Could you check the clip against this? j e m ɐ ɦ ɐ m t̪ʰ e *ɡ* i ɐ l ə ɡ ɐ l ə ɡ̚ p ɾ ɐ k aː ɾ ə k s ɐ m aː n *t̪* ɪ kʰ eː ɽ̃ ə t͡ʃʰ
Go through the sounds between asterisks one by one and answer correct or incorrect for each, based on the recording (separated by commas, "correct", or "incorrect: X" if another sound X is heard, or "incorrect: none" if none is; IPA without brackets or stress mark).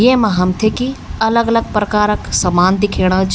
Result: incorrect: k, incorrect: d̪